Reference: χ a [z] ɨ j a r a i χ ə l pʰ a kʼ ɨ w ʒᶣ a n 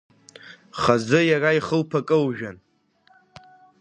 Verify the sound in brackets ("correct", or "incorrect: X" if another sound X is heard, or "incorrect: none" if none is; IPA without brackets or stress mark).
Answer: correct